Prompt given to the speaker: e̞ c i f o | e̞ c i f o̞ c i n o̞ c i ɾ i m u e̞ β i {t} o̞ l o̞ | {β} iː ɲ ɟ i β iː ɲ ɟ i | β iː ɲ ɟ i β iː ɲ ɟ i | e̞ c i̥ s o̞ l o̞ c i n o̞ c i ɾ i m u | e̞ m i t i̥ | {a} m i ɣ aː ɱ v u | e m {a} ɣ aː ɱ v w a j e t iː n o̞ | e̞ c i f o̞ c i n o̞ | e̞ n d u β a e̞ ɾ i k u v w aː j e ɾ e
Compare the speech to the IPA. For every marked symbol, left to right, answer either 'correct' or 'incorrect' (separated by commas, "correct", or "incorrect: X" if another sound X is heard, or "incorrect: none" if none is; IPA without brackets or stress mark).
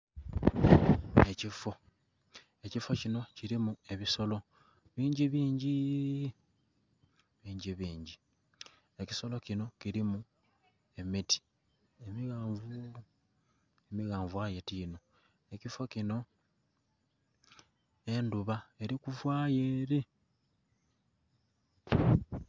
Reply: incorrect: s, correct, incorrect: e, incorrect: i